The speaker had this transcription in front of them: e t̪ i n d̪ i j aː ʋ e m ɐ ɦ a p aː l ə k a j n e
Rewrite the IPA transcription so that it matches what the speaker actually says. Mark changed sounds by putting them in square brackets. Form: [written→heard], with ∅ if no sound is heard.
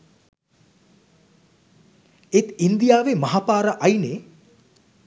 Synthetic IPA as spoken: e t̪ i n d̪ i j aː ʋ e m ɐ ɦ a p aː [l→ɾ] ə [k→ʔ] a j n e